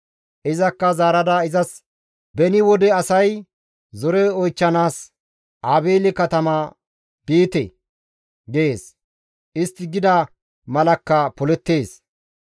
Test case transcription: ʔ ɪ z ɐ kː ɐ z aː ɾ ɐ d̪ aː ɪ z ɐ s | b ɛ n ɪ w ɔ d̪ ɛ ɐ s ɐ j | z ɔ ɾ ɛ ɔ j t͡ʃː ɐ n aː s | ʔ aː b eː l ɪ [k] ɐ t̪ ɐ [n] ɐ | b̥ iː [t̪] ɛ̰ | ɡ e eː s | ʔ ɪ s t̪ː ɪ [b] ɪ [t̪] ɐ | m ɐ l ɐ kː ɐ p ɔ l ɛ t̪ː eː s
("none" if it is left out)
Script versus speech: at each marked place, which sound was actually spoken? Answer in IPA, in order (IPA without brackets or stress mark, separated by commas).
k, m, t̪, ɡ, d̪